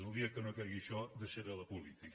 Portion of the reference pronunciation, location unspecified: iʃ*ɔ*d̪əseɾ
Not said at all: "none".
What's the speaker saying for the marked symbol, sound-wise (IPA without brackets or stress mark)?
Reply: ɔ